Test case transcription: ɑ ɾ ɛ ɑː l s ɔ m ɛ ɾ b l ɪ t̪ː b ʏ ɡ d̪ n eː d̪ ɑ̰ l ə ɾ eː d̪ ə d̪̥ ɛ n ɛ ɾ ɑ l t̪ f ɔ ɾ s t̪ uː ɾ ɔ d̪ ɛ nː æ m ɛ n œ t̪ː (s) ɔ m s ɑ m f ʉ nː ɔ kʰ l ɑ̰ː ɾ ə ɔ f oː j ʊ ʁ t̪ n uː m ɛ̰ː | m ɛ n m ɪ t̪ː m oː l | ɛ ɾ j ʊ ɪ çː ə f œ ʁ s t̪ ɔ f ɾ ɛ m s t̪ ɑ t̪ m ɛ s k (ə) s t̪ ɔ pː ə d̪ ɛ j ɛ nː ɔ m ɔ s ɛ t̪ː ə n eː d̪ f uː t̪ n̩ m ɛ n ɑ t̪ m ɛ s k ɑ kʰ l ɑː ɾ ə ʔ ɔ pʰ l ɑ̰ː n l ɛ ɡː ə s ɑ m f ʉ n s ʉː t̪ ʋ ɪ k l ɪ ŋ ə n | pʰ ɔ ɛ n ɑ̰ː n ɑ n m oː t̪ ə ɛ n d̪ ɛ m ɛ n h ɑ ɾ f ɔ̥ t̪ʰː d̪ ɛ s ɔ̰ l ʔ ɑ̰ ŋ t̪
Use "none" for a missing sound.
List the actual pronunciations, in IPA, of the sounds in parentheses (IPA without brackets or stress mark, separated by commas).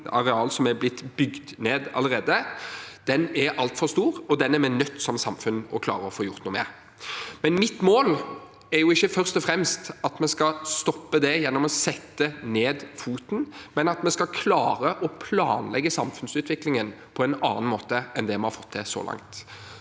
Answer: s, ɑ